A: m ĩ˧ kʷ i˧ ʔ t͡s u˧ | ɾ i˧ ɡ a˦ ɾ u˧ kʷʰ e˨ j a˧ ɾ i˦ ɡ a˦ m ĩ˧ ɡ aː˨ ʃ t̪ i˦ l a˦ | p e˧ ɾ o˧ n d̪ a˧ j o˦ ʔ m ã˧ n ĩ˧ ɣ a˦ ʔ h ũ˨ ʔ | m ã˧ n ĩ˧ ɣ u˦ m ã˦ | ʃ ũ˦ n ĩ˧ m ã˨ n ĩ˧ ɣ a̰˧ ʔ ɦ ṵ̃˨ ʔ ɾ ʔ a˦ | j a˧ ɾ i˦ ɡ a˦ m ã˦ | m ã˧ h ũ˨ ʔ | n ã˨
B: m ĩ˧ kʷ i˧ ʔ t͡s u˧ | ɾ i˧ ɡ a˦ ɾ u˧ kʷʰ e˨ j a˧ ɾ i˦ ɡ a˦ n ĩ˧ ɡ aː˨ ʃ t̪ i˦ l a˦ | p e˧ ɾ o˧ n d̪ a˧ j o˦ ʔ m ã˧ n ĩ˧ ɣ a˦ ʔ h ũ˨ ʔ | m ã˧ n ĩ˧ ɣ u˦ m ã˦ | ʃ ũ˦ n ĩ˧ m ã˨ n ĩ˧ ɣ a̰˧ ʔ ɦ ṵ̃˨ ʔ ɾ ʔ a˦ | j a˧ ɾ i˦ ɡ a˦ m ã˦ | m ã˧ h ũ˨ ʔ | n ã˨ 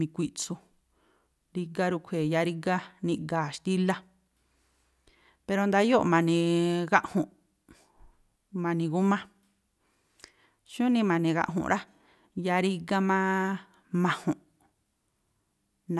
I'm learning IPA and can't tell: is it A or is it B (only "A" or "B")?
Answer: B